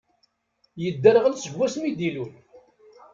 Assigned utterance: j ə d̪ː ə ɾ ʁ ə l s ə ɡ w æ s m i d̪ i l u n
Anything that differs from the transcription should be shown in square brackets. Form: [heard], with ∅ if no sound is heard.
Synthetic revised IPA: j ə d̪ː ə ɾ ʁ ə l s ə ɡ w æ s m i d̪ i l u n